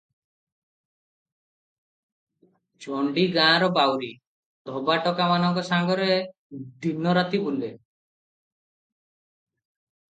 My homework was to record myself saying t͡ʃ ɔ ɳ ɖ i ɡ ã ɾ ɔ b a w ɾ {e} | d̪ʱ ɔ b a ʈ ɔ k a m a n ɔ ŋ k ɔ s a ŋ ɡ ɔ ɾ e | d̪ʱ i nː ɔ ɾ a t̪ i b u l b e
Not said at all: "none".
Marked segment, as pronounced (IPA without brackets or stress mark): i